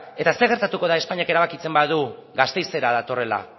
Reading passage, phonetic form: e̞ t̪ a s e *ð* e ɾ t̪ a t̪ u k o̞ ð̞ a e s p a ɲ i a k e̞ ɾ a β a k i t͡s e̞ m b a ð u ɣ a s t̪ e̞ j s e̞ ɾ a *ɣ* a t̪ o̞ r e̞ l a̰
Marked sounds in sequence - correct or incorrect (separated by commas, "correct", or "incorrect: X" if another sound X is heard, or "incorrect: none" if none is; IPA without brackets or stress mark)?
incorrect: ɣ, incorrect: ð